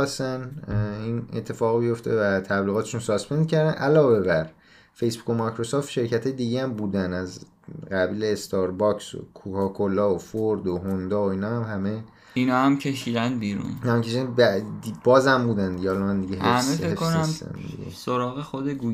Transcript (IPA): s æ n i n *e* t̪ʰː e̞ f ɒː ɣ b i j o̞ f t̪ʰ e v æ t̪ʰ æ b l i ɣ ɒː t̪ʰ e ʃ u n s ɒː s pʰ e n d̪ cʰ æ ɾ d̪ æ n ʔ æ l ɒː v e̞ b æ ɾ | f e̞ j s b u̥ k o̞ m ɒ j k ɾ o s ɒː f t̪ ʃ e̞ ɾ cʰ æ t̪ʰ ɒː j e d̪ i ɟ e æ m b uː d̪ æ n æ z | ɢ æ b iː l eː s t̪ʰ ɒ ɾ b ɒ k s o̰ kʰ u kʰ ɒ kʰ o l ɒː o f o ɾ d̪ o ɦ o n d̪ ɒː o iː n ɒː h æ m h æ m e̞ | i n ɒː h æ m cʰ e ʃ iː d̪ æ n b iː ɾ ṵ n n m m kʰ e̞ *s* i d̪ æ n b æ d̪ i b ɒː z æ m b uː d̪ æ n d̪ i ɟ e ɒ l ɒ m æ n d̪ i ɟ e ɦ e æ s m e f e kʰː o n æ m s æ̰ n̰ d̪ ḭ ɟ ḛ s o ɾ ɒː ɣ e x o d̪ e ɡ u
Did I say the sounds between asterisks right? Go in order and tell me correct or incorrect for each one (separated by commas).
correct, incorrect